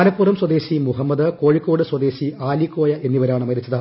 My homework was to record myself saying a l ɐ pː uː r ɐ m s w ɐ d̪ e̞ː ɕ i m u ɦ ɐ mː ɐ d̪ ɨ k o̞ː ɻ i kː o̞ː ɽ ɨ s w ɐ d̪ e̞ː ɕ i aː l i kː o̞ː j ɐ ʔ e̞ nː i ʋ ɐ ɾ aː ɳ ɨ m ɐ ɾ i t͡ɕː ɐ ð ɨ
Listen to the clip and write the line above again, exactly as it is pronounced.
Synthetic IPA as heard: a l ɐ pː uː r ɐ m s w ɐ d̪ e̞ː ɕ i m u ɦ ɐ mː ɐ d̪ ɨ k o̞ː ɻ i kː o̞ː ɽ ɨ s w ɐ d̪ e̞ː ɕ i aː l i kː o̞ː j ɐ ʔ e̞ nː i ʋ ɐ ɾ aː ɳ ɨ m ɐ ɾ i t͡ɕː ɐ ð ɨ

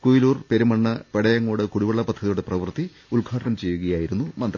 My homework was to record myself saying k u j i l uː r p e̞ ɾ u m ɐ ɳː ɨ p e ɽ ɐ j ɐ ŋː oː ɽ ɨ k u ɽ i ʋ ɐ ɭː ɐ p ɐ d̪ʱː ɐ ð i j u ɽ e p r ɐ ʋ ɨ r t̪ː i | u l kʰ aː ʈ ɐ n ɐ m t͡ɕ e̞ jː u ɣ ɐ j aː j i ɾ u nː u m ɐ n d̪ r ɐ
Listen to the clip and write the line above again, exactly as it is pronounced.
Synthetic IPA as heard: k u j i l uː r p e̞ ɾ u m ɐ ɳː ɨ p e ɽ ɐ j ɐ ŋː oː ɽ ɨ k u ɽ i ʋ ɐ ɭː ɐ p ɐ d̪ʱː ɐ ð i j u ɽ e p r ɐ ʋ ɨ r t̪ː i | u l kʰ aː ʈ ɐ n ɐ m t͡ɕ e̞ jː u ɣ ɐ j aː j i ɾ u nː u m ɐ n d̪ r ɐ

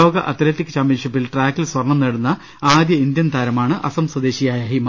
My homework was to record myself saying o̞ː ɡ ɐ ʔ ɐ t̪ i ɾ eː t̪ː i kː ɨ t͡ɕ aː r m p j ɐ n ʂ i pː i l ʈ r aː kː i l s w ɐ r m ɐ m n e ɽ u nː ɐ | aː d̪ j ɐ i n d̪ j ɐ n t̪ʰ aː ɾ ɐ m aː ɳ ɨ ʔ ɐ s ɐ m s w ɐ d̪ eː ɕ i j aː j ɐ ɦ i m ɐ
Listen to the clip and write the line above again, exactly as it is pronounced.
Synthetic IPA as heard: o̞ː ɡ ɐ ʔ ɐ t̪ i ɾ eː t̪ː i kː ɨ t͡ɕ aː m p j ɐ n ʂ i pː i l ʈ r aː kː i l s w ɐ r ɳ ɐ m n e ɽ u nː ɐ | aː d̪ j ɐ i n d̪ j ɐ n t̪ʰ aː ɾ ɐ m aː ɳ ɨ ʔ ɐ s ɐ m s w ɐ d̪ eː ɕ i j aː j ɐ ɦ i m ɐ

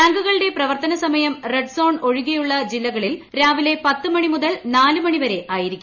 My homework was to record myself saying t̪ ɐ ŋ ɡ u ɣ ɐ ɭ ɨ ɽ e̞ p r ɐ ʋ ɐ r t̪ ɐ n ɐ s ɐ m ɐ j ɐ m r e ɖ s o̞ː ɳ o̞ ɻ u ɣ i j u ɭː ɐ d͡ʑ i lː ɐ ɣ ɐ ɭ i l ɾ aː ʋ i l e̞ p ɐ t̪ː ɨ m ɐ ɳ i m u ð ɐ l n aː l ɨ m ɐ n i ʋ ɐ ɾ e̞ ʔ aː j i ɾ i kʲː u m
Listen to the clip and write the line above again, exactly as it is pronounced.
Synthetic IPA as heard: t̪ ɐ ŋ ɡ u ɣ ɐ ɭ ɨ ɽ e̞ p r ɐ ʋ ɐ r t̪ ɐ n ɐ s ɐ m ɐ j ɐ m r e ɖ s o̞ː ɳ o̞ ɻ u ɣ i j u ɭː ɐ d͡ʑ i lː ɐ ɣ ɐ ɭ i l ɾ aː ʋ i l e̞ p ɐ t̪ː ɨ m ɐ ɳ i m u ð ɐ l n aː l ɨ m ɐ ɳ i ʋ ɐ ɾ e̞ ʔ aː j i ɾ i kʲː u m

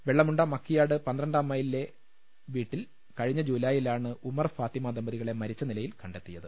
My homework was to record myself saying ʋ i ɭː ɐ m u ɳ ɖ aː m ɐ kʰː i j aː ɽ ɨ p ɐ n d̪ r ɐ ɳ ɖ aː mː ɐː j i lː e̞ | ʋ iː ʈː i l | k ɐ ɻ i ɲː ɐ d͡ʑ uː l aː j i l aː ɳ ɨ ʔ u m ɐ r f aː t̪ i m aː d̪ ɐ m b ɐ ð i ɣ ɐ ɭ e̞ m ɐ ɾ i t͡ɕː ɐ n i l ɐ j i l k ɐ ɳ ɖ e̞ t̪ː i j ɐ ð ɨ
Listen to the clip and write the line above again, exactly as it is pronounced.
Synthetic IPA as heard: ʋ e ɭː ɐ m u ɳ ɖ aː m ɐ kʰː i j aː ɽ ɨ p ɐ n d̪ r ɐ ɳ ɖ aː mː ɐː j i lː e̞ | ʋ iː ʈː i l | k ɐ ɻ i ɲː ɐ d͡ʑ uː l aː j i l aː ɳ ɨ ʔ u m ɐ r f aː t̪ i m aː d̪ ɐ m b ɐ ð i ɣ ɐ ɭ e̞ m ɐ ɾ i t͡ɕː ɐ n i l ɐ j i l k ɐ ɳ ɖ e̞ t̪ː i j ɐ ð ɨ

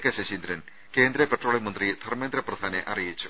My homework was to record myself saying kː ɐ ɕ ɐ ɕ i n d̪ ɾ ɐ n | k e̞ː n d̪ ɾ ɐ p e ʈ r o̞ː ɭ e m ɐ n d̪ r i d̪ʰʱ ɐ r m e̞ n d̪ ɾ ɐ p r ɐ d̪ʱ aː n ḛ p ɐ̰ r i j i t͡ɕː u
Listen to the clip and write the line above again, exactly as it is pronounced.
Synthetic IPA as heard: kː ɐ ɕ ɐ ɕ i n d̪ ɾ ɐ n | k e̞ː n d̪ ɾ ɐ p e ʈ r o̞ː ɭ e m ɐ n d̪ r i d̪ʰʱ ɐ r m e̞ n d̪ ɾ ɐ p r ɐ d̪ʱ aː n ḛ ʔ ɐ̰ r i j i t͡ɕː u

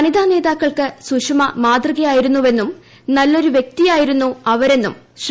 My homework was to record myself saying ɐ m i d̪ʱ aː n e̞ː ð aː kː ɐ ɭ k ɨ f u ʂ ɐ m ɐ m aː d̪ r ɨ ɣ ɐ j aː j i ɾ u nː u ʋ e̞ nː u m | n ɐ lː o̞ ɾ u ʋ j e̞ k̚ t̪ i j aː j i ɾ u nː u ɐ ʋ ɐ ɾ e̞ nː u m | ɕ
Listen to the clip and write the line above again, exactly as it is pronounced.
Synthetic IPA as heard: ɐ n i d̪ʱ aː n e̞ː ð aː kː ɐ ɭ k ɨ s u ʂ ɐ m ɐ m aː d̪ r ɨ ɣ ɐ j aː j i ɾ u nː u ʋ e̞ nː u m | n ɐ lː o̞ ɾ u ʋ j e̞ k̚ t̪ i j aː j i ɾ u nː u ɐ ʋ ɐ ɾ e̞ nː u m | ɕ

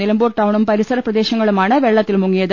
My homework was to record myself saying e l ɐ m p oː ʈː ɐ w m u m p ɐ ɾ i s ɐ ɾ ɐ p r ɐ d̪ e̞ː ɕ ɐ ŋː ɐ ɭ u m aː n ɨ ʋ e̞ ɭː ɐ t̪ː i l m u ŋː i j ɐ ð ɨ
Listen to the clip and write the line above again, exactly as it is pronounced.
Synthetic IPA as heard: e l ɐ m b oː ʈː ɐ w ɳ u m p ɐ ɾ i s ɐ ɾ ɐ p r ɐ d̪ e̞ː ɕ ɐ ŋː ɐ ɭ u m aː ɳ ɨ ʋ e̞ ɭː ɐ t̪ː i l m u ŋː i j ɐ ð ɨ

